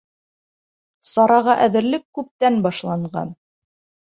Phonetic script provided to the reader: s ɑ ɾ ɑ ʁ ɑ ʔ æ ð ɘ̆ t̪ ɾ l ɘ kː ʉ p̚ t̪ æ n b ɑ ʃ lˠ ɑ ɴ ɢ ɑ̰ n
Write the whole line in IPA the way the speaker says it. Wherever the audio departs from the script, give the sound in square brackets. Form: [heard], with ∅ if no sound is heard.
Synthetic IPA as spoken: s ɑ ɾ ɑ ʁ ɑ ʔ æ ð ɘ̆ [∅] ɾ l ɘ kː ʉ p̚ t̪ æ n b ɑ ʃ lˠ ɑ ɴ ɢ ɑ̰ n